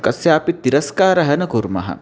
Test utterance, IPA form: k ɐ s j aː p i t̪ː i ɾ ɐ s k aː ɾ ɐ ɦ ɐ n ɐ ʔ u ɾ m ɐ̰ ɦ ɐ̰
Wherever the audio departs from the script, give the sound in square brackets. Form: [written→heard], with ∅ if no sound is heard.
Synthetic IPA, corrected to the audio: k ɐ s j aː p i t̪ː i ɾ ɐ s k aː ɾ ɐ ɦ ɐ n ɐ [ʔ→k] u ɾ m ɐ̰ ɦ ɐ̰

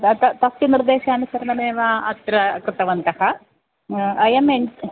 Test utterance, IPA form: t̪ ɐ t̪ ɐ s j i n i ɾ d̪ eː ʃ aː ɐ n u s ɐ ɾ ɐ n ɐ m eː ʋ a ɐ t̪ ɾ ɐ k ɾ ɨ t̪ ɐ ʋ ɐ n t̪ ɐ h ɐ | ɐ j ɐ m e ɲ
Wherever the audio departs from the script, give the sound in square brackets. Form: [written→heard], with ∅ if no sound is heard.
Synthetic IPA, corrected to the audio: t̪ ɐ t̪ ɐ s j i n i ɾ d̪ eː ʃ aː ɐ n u s ɐ ɾ ɐ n ɐ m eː ʋ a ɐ t̪ ɾ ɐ k ɾ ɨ t̪ ɐ ʋ ɐ n t̪ ɐ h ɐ | ɐ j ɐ m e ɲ

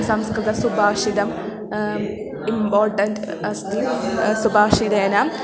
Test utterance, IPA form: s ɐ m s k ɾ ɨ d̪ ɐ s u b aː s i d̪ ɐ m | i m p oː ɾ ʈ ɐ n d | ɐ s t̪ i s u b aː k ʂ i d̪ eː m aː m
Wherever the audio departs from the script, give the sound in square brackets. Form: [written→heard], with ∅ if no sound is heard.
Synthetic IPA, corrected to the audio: s ɐ m s k ɾ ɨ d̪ ɐ s u b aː [s→ʂ] i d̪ ɐ m | i m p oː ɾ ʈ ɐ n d | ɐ s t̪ i s u b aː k ʂ i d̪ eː [m→n] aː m

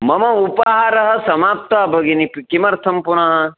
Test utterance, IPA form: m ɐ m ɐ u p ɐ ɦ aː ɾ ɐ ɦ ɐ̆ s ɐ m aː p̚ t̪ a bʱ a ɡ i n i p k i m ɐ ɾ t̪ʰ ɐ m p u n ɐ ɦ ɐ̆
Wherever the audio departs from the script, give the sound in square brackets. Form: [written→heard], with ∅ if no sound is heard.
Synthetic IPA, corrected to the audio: m ɐ m ɐ u p ɐ ɦ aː ɾ ɐ ɦ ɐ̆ s ɐ m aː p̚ t̪ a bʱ [a→ɐ] ɡ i n i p k i m ɐ ɾ t̪ʰ ɐ m p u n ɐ ɦ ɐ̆

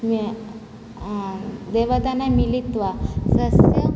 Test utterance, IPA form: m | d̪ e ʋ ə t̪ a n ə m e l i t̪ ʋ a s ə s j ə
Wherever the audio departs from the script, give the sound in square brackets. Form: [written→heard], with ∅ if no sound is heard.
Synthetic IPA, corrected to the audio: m | d̪ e ʋ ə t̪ a n [ə→a] m [e→i] l i t̪ ʋ a s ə s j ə

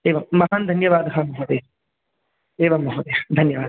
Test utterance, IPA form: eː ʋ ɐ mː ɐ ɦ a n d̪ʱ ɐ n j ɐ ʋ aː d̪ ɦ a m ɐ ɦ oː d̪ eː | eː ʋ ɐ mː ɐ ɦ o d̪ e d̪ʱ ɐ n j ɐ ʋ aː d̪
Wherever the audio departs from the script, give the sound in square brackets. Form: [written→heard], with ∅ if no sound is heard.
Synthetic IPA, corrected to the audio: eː ʋ ɐ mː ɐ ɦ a n d̪ʱ ɐ n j ɐ ʋ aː d̪ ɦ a m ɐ ɦ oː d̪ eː | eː ʋ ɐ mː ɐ ɦ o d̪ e d̪ʱ ɐ n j ɐ ʋ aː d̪

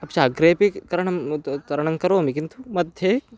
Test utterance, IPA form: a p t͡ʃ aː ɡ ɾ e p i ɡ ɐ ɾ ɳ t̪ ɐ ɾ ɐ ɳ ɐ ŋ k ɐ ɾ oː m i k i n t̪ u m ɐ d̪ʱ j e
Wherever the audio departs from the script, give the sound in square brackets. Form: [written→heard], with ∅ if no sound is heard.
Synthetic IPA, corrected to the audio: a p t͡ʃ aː ɡ ɾ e p i [ɡ→k] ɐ ɾ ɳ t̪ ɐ ɾ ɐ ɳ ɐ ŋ k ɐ ɾ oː m i k i n t̪ u m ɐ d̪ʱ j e

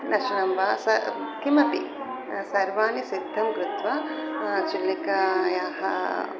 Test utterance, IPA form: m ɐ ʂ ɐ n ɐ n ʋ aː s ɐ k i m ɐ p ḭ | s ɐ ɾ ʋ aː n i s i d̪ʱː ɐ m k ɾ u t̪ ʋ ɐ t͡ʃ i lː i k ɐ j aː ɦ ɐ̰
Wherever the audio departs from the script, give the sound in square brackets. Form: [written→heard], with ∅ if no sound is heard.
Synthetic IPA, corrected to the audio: [m→n] ɐ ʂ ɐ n ɐ [n→m] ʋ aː s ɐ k i m ɐ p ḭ | s ɐ ɾ ʋ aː n i s i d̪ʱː ɐ m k ɾ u t̪ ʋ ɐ t͡ʃ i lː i k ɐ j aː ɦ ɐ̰

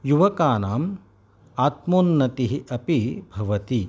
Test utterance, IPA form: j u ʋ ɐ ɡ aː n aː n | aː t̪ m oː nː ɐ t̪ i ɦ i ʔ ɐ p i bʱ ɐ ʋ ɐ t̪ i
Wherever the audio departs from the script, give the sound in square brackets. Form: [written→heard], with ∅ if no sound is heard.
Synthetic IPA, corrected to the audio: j u ʋ ɐ [ɡ→k] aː n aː [n→m] | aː t̪ m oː nː ɐ t̪ i ɦ i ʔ ɐ p i bʱ ɐ ʋ ɐ t̪ i

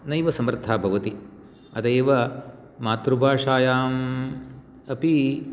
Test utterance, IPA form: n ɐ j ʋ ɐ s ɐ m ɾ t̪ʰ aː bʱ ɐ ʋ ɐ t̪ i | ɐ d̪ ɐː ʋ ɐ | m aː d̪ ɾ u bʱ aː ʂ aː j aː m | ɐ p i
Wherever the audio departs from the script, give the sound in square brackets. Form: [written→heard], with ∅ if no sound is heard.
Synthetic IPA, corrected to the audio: n ɐ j ʋ ɐ s ɐ m ɾ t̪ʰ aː bʱ ɐ ʋ ɐ t̪ i | ɐ d̪ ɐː ʋ ɐ | m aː [d̪→t̪] ɾ u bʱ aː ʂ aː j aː m | ɐ p i

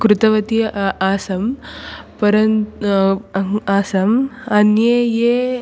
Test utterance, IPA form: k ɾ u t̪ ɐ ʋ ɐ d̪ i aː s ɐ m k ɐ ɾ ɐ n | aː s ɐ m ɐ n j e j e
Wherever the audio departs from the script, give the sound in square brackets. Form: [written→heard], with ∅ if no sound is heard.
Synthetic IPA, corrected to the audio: k ɾ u t̪ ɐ ʋ ɐ [d̪→t̪] i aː s ɐ m [k→p] ɐ ɾ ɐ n | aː s ɐ m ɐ n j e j e

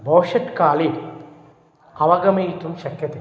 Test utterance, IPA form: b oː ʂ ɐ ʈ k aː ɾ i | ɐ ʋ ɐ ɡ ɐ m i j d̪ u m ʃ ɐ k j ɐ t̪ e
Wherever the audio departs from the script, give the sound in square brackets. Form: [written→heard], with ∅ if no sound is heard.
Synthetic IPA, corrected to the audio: b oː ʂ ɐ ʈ k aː [ɾ→l] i | ɐ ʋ ɐ ɡ ɐ m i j [d̪→t̪] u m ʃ ɐ k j ɐ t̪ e

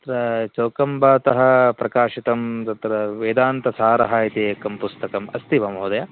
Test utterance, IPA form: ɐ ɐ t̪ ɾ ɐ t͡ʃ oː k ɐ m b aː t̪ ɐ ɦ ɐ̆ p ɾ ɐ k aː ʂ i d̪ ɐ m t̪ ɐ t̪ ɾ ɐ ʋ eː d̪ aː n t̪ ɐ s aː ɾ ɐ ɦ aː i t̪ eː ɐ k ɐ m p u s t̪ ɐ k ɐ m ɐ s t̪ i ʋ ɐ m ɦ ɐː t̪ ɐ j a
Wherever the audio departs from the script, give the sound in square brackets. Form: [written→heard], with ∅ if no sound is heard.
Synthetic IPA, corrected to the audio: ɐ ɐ t̪ ɾ ɐ t͡ʃ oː k ɐ m b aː t̪ ɐ ɦ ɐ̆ p ɾ ɐ k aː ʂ i [d̪→t̪] ɐ m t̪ ɐ t̪ ɾ ɐ ʋ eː d̪ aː n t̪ ɐ s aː ɾ ɐ ɦ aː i t̪ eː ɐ k ɐ m p u s t̪ ɐ k ɐ m ɐ s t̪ i ʋ ɐ m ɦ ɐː [t̪→d̪] ɐ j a

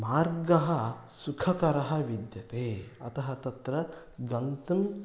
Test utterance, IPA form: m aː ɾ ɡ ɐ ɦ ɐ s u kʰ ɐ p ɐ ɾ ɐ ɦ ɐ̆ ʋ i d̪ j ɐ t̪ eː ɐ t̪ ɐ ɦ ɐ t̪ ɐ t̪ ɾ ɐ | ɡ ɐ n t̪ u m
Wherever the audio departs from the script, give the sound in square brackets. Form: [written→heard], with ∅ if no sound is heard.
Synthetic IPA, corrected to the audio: m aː ɾ ɡ ɐ ɦ ɐ s u kʰ ɐ [p→k] ɐ ɾ ɐ ɦ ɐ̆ ʋ i d̪ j ɐ t̪ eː ɐ t̪ ɐ ɦ ɐ t̪ ɐ t̪ ɾ ɐ | ɡ ɐ n t̪ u m

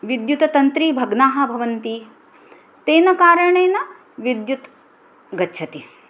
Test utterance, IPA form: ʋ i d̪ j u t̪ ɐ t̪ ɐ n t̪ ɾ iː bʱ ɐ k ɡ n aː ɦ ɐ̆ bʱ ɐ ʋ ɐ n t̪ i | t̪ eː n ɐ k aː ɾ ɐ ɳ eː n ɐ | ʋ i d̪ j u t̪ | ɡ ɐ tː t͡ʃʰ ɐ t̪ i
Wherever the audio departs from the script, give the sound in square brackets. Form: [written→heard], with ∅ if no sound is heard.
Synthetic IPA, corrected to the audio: ʋ i d̪ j u t̪ ɐ t̪ ɐ n t̪ ɾ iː bʱ ɐ [k→∅] ɡ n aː ɦ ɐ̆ bʱ ɐ ʋ ɐ n t̪ i | t̪ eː n ɐ k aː ɾ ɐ ɳ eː n ɐ | ʋ i d̪ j u t̪ | ɡ ɐ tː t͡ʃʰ ɐ t̪ i

